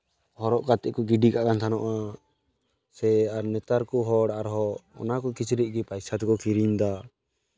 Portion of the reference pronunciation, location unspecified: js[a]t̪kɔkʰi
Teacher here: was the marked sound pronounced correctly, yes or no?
yes